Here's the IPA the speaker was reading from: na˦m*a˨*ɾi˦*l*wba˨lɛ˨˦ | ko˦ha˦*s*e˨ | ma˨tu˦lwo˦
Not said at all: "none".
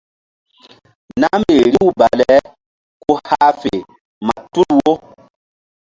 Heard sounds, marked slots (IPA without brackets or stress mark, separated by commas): e˨, none, f